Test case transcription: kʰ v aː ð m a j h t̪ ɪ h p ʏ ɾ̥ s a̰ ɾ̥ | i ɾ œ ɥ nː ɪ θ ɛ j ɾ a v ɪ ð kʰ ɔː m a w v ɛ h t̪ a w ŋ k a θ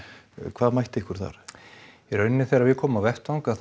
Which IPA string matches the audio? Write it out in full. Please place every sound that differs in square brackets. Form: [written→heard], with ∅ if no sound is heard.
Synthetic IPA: kʰ v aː ð m a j h t̪ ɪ h [p→k] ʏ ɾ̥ [s→θ] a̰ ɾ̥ | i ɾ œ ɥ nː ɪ θ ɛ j ɾ a v ɪ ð kʰ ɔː m a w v ɛ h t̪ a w ŋ k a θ